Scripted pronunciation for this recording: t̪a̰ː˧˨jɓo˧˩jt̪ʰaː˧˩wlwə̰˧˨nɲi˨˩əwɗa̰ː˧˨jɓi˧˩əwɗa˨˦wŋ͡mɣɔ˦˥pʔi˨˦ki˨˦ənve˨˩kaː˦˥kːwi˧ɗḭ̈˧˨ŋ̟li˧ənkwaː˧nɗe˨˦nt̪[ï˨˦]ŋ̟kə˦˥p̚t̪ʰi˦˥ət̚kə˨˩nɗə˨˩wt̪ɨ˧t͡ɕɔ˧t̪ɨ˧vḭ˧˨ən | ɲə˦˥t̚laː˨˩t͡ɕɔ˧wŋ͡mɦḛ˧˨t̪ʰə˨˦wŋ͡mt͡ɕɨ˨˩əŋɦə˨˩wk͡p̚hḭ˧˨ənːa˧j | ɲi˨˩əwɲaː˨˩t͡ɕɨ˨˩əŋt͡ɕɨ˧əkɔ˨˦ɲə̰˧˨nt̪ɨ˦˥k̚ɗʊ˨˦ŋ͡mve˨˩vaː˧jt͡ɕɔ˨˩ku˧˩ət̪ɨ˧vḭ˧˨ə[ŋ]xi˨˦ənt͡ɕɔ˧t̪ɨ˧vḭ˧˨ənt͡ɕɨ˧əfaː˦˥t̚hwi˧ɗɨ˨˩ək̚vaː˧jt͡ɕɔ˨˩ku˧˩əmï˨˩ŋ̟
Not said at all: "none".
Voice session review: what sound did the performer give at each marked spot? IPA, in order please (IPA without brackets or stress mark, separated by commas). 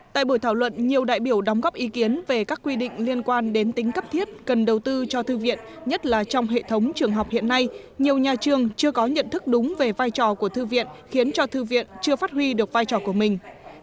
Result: ï˨˦, n